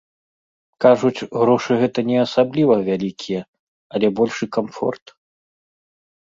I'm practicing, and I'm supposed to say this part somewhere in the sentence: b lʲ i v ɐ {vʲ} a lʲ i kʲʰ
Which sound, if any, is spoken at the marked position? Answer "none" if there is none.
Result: vʲ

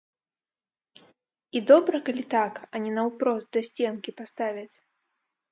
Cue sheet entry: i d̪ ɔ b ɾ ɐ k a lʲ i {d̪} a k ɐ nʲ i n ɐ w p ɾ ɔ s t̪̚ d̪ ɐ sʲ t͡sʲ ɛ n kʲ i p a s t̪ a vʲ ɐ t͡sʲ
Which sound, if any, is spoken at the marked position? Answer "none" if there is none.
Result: t̪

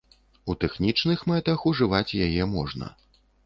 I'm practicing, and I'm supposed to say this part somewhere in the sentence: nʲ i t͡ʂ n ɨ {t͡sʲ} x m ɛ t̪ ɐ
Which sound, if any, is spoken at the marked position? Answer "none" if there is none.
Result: none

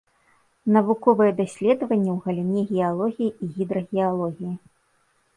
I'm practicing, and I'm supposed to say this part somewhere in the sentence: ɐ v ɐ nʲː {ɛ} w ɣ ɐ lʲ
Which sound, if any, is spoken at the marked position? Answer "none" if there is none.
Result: ɛ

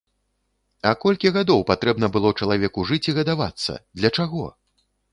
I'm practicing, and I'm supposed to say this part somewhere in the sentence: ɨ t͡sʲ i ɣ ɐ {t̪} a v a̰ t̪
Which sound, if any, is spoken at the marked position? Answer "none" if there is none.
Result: d̪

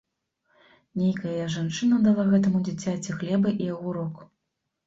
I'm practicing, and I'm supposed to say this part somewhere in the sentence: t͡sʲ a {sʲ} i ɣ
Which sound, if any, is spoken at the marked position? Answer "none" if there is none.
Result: t͡sʲ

